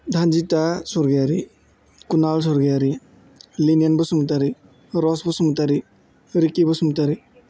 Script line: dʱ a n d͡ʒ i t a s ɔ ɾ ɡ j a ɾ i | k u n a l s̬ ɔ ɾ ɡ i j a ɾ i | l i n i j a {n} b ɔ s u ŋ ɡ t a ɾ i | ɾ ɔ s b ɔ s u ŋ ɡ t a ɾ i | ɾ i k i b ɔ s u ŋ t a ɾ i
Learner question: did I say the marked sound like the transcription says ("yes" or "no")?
yes